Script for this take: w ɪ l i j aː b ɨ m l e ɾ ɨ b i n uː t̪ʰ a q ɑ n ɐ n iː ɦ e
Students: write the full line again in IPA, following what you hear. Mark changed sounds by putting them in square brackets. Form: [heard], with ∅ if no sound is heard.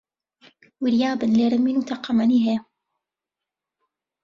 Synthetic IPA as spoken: w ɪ [ɾ] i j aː b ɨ [n] l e ɾ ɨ [m] i n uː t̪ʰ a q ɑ [m] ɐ n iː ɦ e